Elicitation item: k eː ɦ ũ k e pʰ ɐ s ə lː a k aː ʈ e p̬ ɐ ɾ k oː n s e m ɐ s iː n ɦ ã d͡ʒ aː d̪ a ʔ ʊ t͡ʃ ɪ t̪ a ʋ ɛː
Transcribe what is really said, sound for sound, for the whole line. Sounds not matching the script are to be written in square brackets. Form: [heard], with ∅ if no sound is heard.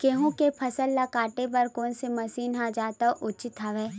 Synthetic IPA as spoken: k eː ɦ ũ k e pʰ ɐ s ə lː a k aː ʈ e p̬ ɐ ɾ k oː n s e m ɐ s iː n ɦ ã d͡ʒ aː [t̪] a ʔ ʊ t͡ʃ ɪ t̪ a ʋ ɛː